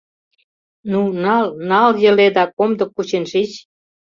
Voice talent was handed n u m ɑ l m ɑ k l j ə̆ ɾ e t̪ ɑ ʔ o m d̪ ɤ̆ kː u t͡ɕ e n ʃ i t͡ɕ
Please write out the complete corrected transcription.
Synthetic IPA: n u n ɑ l n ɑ l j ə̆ l e d̪ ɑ k o m d̪ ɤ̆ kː u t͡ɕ e n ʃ i t͡ɕ